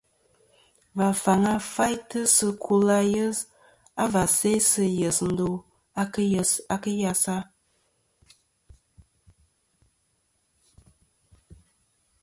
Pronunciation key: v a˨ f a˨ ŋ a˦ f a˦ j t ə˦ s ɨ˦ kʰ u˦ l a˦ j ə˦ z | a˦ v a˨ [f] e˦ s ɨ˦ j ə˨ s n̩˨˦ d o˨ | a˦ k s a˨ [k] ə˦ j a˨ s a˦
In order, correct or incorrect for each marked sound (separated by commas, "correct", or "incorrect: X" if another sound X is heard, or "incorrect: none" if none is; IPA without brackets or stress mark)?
incorrect: s, correct